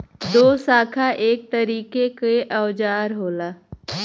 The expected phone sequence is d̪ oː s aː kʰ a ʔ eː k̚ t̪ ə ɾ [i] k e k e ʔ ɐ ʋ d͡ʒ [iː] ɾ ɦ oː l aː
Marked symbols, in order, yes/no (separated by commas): no, no